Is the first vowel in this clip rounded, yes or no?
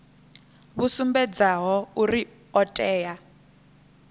yes